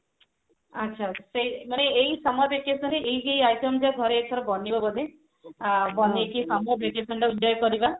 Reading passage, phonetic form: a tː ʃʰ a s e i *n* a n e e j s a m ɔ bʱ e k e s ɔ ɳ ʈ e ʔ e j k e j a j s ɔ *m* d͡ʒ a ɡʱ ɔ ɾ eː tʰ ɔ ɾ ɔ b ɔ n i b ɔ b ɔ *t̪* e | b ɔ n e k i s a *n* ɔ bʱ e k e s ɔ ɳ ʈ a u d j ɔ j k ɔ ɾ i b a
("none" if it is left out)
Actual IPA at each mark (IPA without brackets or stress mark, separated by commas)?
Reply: m, m, d̪, m